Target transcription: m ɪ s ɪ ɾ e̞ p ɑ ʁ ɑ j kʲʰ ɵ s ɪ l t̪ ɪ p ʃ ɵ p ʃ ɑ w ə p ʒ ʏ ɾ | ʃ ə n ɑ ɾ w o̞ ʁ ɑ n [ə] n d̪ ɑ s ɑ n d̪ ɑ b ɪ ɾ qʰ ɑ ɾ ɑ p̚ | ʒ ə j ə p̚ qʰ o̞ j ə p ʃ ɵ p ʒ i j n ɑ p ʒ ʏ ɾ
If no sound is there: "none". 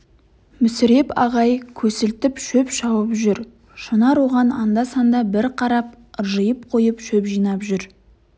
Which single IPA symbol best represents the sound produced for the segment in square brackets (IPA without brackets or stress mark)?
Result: ɑ